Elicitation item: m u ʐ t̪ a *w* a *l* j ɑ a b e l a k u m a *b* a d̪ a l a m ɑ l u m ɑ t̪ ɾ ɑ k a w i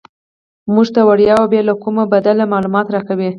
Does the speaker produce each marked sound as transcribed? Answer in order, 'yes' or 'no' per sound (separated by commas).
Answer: yes, no, yes